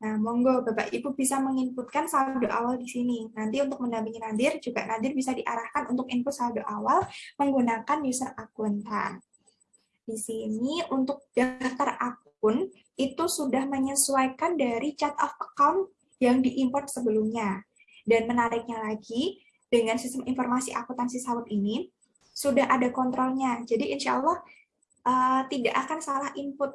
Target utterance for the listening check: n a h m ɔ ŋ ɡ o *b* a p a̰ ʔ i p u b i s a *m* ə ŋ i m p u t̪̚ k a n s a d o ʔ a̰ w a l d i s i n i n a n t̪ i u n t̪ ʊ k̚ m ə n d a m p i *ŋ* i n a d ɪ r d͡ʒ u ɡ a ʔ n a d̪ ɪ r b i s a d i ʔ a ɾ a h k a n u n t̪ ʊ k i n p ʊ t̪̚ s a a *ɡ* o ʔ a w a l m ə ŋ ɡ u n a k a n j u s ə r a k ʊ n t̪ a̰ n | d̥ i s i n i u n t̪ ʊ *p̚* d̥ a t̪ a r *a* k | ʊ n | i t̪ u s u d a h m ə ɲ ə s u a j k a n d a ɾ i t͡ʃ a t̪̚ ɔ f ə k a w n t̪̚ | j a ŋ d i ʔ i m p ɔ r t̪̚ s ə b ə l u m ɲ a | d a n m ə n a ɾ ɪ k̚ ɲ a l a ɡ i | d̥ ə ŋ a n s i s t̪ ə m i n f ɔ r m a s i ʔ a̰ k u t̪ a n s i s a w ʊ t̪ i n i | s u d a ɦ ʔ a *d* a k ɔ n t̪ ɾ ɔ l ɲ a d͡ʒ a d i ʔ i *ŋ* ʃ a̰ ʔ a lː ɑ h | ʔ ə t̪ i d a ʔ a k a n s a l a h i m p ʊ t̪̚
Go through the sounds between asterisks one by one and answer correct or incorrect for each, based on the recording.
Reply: correct, correct, correct, incorrect: d, incorrect: k̚, correct, correct, incorrect: n

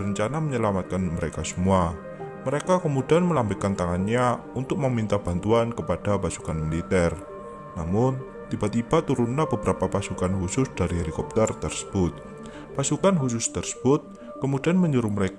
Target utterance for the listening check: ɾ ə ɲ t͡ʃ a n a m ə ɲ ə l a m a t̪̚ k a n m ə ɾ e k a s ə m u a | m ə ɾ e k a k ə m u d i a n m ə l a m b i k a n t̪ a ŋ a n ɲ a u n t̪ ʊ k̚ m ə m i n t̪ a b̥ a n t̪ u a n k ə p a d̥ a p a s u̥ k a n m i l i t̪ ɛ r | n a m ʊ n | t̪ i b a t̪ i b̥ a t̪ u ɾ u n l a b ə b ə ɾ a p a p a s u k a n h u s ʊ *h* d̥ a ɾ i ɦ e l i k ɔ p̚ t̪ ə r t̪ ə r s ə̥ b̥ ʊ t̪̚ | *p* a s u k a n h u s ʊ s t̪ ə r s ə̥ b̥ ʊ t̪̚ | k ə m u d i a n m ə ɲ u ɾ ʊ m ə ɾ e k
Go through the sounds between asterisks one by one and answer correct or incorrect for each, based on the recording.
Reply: incorrect: s, correct

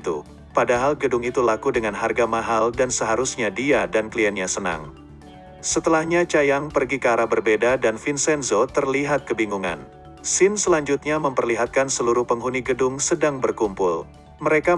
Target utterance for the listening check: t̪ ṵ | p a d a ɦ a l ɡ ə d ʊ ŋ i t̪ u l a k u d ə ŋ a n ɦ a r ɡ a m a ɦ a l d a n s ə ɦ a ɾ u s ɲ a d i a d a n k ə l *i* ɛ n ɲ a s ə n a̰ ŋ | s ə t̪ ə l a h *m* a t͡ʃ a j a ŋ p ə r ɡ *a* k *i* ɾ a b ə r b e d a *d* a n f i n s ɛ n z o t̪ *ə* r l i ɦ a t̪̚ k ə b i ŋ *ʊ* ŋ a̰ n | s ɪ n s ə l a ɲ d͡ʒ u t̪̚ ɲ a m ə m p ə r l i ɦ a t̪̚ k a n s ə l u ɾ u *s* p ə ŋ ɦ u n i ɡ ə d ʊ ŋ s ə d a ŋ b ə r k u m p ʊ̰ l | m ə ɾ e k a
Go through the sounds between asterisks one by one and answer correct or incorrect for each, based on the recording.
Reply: correct, incorrect: ɲ, incorrect: i, incorrect: a, correct, correct, incorrect: u, incorrect: h

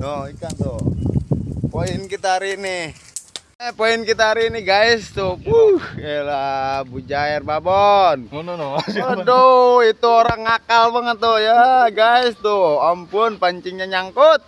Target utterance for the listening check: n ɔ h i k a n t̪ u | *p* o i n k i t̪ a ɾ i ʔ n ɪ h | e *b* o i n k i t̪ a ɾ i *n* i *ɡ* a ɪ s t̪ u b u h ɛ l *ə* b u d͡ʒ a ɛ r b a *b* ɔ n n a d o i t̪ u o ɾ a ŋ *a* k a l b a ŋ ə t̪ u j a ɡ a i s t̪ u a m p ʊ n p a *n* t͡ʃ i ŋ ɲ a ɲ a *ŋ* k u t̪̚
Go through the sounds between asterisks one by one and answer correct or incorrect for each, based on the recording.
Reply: correct, incorrect: p, correct, correct, incorrect: a, correct, correct, incorrect: ɲ, correct

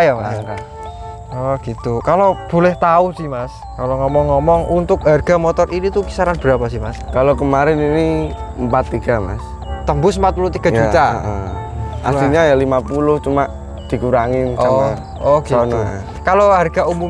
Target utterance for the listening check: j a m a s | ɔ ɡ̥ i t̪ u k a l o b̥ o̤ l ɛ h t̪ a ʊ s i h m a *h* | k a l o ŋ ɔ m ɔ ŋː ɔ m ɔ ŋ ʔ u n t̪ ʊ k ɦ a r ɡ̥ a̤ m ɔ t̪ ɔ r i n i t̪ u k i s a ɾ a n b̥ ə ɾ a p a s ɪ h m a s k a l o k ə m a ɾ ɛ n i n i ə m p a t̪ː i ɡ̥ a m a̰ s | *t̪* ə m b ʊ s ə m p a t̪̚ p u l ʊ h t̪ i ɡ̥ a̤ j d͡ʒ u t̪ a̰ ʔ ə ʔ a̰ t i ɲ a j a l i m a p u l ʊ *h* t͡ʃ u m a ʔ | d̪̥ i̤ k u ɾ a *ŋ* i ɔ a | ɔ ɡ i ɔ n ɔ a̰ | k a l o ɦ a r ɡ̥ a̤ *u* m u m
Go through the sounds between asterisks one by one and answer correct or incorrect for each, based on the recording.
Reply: incorrect: s, correct, correct, correct, correct

